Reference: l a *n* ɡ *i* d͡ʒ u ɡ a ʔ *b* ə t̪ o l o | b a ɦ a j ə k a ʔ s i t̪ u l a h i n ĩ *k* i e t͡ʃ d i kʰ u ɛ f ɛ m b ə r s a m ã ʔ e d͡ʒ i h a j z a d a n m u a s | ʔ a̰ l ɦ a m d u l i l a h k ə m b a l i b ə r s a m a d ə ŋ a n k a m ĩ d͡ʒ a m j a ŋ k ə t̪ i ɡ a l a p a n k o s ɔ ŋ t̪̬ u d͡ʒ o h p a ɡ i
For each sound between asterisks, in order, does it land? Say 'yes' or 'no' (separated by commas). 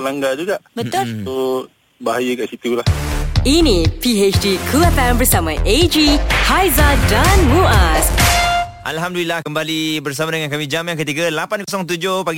no, no, yes, no